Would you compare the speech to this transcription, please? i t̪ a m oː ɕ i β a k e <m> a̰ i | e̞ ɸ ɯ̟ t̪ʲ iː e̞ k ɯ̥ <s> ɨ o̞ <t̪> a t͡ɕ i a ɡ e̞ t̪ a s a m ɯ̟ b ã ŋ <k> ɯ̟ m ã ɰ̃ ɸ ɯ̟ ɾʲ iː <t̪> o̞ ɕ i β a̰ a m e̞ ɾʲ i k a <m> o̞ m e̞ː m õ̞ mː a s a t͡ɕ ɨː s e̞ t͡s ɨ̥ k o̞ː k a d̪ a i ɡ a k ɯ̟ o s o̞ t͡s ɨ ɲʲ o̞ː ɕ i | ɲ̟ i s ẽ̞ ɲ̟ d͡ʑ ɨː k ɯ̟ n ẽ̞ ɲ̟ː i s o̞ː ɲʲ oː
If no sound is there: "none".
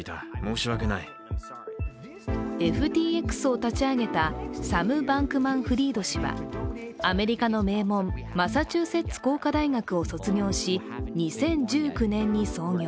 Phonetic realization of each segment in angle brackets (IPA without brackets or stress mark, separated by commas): n, s, t̪, k, d̪, n